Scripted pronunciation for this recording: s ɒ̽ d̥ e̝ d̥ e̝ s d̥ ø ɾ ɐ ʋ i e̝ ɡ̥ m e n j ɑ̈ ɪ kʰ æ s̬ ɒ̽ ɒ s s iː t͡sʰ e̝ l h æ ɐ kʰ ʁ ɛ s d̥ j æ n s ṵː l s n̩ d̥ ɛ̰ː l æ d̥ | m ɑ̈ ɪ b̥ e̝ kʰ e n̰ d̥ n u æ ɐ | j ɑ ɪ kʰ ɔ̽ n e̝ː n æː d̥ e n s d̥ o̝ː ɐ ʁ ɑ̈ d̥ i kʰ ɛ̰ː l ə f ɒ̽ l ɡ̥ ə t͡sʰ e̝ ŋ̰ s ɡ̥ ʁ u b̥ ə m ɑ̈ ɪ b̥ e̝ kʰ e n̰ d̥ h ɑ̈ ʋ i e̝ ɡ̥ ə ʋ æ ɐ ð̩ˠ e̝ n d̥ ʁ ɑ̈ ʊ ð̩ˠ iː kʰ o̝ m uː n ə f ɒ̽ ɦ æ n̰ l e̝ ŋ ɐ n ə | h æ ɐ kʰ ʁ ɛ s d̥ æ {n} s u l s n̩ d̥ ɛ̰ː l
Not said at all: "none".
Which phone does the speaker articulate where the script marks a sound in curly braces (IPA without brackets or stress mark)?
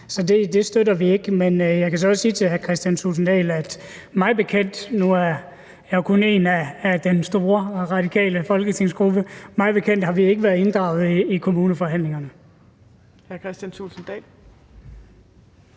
n